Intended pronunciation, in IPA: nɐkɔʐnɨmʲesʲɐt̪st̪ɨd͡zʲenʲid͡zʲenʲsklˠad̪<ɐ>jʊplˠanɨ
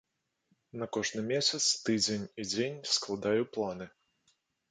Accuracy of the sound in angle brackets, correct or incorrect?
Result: incorrect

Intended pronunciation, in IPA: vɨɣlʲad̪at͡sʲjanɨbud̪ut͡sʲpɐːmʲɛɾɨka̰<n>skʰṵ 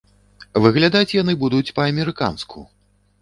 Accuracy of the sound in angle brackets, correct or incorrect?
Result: correct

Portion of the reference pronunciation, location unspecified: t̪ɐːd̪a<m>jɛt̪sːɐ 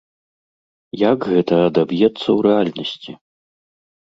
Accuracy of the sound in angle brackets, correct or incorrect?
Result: incorrect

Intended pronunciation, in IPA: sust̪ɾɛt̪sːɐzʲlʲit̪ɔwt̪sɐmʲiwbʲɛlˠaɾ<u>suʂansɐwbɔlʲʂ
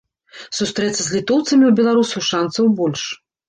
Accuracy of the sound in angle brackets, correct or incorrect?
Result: correct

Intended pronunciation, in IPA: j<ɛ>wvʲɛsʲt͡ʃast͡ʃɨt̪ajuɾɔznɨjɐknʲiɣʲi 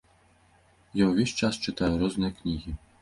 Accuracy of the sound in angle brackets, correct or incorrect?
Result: incorrect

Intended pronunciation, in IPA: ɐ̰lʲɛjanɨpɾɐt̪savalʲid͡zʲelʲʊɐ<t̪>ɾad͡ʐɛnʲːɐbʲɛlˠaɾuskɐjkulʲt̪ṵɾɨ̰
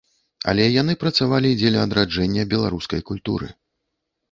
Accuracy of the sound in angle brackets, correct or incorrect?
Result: incorrect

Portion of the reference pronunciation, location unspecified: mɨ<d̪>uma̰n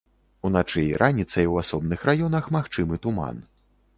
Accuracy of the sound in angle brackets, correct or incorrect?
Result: incorrect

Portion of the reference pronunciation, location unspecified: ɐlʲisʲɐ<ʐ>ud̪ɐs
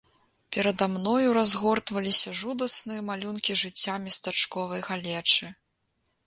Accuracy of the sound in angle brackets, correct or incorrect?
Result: correct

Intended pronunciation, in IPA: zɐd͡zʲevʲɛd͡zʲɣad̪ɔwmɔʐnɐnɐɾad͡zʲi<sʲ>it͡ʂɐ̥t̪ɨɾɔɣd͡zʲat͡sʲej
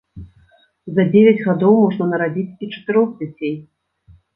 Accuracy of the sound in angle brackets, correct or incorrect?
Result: incorrect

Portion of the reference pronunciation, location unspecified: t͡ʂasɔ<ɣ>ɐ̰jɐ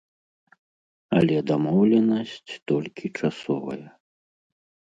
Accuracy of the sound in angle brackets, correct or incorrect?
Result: incorrect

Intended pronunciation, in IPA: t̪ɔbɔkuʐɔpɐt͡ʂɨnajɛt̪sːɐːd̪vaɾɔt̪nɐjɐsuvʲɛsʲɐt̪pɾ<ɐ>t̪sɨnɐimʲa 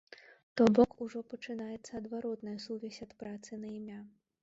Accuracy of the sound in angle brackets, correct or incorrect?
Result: incorrect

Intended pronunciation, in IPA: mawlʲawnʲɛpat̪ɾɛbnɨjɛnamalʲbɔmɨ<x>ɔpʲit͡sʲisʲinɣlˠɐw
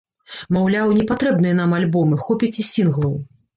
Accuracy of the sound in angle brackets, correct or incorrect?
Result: correct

